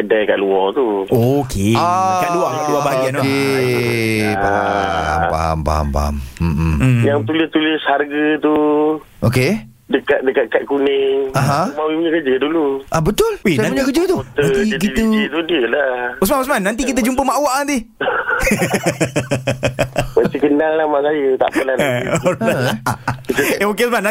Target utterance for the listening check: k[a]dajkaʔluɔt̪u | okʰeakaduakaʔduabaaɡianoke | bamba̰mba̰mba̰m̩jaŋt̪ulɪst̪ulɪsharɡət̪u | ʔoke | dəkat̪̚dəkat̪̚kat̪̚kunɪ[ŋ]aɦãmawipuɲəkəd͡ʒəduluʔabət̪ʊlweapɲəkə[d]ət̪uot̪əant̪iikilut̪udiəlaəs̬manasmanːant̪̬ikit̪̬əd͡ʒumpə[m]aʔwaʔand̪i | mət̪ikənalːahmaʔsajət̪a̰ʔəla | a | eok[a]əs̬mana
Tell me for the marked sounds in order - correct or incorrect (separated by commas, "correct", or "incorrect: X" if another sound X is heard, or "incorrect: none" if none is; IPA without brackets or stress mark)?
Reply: incorrect: ə, correct, incorrect: d͡ʒ, correct, incorrect: e